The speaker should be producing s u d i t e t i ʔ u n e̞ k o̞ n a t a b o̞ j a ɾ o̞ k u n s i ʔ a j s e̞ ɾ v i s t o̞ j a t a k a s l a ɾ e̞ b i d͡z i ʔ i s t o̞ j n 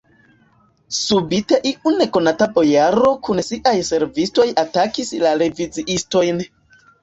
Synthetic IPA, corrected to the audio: s u b i t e ʔ i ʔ u n e̞ k o̞ n a t a b o̞ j a ɾ o̞ k u n s i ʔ a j s e̞ ɾ v i s t o̞ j a t a k i s l a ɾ e̞ v i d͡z i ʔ i s t o̞ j n